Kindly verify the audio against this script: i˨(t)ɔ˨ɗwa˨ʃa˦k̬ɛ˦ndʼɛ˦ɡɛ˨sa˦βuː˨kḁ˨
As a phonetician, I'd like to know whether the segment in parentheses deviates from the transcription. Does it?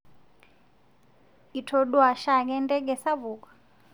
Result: yes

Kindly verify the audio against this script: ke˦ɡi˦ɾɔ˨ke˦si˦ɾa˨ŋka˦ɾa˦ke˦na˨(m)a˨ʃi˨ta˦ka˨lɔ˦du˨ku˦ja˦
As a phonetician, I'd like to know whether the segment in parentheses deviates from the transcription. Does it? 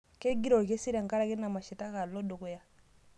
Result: no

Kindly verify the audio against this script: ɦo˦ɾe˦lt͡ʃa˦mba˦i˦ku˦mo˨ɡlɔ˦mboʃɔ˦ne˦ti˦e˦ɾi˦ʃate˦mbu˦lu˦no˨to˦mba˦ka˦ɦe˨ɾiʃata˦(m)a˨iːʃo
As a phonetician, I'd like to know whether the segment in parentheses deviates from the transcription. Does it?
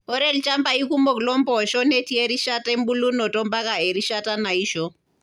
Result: yes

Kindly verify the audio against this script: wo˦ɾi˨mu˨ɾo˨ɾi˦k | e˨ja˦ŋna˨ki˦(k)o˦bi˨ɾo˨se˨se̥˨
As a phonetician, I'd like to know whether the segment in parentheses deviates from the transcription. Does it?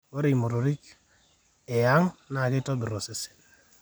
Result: yes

